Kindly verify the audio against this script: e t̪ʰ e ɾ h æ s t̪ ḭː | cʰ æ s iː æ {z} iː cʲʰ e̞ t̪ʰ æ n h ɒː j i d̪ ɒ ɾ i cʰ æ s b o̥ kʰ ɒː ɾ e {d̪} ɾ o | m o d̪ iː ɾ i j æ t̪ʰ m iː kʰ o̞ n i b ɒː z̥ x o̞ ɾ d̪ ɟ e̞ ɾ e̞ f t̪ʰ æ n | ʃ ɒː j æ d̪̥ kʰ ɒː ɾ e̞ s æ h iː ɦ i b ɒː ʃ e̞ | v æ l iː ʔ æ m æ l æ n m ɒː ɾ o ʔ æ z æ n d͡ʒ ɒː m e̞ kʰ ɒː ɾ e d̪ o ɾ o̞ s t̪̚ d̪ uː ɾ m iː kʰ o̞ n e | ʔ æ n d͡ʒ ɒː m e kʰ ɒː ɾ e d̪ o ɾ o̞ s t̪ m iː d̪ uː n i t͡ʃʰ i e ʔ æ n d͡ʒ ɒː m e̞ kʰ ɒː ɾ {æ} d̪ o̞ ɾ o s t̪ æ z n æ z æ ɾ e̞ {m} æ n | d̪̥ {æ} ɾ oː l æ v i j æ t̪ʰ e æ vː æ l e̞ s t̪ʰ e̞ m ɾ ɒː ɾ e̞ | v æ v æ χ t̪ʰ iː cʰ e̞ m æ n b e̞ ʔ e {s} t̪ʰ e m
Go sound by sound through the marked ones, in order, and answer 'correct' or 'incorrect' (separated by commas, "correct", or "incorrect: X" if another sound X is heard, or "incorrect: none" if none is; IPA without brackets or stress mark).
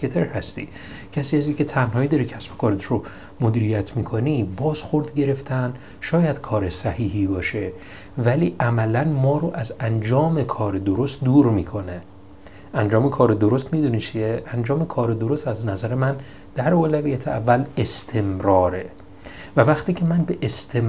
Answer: correct, incorrect: t̪, incorrect: e, correct, correct, correct